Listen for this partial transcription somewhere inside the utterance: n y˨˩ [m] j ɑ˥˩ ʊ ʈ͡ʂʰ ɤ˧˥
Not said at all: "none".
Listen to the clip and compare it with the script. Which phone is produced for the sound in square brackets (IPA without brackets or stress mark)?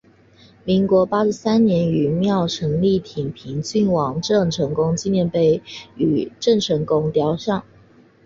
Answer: m